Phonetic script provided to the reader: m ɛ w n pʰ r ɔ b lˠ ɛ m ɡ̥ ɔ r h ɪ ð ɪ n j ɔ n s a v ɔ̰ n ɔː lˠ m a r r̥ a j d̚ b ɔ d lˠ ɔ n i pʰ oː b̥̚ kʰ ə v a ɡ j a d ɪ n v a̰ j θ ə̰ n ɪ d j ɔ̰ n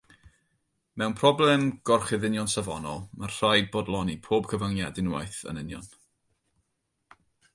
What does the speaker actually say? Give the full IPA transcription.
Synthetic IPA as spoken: m ɛ w n pʰ r ɔ b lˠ ɛ m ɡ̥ ɔ r χ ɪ ð ɪ n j ɔ n s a v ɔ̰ n ɔ lˠ m a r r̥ a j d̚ b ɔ d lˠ ɔ n i pʰ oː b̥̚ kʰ ə v a ŋ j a d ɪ n w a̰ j θ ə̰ n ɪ n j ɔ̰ n